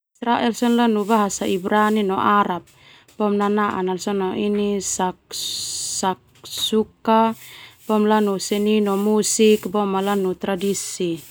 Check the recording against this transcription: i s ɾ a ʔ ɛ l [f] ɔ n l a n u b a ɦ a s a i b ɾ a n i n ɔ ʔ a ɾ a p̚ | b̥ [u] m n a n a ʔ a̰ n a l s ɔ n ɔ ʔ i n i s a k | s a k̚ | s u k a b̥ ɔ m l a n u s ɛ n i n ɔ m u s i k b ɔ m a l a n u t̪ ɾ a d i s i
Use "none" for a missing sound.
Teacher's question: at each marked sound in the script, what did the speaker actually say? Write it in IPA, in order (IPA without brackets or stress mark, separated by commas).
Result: s, ɔ